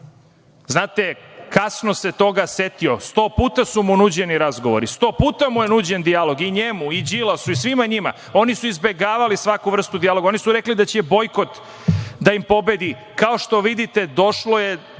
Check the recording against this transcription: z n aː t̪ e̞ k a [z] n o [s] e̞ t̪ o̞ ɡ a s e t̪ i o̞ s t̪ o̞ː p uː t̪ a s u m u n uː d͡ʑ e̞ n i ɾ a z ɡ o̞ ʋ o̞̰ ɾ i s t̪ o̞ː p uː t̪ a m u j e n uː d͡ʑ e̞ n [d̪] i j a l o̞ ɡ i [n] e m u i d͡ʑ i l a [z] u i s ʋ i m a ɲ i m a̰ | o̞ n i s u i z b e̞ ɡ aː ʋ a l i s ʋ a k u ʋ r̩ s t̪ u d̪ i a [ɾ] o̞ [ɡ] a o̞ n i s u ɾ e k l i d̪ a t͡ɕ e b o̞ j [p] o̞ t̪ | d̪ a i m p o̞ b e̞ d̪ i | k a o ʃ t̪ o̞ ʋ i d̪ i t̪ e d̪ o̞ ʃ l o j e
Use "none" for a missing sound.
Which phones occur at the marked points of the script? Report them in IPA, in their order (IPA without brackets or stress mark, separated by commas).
s, s, d̪, ɲ, s, l, ɡ, k